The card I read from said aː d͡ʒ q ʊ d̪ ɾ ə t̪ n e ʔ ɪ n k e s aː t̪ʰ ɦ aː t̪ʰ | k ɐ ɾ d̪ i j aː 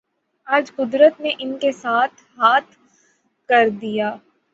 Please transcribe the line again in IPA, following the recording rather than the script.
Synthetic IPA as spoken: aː d͡ʒ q ʊ d̪ ɾ ə t̪ n e ʔ ɪ n k e s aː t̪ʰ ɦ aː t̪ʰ | k ɐ ɾ d̪ i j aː